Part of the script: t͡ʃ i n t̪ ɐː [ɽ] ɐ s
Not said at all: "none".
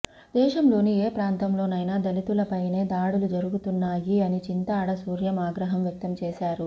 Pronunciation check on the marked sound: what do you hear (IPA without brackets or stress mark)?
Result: ɽ